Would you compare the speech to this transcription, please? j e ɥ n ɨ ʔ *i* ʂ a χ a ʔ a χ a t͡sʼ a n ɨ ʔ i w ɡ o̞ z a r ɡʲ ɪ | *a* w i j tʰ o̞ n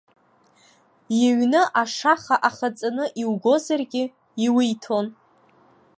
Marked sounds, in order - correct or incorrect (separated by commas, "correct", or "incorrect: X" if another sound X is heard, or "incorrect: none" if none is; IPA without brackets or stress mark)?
incorrect: a, incorrect: i